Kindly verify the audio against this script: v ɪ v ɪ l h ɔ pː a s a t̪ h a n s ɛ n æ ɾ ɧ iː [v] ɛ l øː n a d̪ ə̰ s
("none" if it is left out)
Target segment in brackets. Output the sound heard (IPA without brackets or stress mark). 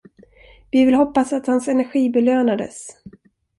b